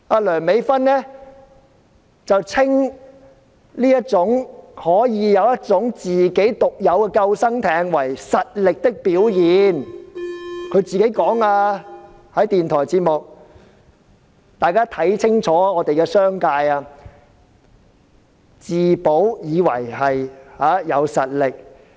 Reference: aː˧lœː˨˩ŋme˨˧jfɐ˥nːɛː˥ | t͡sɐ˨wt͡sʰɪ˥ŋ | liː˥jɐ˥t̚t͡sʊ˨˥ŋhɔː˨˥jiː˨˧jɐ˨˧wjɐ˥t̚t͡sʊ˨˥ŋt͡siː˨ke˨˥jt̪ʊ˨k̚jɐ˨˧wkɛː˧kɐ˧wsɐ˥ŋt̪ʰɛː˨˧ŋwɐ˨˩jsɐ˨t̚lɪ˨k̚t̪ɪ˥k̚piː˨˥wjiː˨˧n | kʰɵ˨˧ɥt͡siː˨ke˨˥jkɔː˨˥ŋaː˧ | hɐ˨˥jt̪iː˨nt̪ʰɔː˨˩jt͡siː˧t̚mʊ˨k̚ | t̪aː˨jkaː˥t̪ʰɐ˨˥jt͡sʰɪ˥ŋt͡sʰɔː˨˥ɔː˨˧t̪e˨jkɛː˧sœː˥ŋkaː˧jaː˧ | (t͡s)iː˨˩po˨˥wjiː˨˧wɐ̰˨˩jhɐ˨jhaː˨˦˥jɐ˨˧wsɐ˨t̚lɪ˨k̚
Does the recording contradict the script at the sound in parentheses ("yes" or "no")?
no